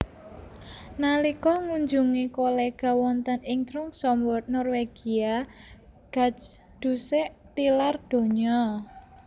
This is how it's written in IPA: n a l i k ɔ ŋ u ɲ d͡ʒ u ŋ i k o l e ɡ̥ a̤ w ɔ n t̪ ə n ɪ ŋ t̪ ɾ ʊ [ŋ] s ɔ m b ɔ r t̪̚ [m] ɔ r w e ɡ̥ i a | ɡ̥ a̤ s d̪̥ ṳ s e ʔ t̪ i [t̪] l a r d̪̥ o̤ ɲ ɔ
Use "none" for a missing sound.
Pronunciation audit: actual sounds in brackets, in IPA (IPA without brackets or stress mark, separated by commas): ŋ, n, none